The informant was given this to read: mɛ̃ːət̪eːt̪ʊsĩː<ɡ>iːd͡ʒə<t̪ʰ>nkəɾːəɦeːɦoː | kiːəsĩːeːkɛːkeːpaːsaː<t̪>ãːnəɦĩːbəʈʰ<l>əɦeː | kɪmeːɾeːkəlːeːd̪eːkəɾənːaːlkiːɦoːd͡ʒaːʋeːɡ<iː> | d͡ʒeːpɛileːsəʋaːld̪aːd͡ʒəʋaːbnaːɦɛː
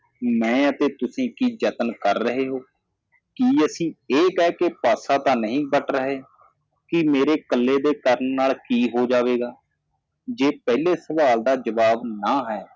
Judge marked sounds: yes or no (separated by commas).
no, no, yes, no, no